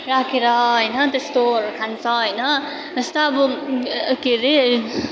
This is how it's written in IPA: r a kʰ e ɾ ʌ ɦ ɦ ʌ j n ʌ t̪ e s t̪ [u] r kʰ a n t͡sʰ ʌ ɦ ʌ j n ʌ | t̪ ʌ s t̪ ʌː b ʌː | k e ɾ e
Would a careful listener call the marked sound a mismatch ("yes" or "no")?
yes